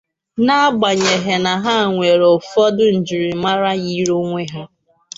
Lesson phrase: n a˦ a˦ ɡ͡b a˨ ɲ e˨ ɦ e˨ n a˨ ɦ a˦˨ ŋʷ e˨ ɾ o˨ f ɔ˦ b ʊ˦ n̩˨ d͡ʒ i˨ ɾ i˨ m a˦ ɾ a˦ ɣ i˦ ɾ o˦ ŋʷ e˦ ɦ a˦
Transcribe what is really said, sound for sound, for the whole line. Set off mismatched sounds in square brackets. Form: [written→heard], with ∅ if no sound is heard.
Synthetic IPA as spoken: n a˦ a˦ ɡ͡b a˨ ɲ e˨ ɦ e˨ n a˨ ɦ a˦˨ ŋʷ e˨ ɾ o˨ f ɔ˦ [b→d] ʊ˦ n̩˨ d͡ʒ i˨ ɾ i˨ m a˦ ɾ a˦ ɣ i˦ ɾ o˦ ŋʷ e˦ ɦ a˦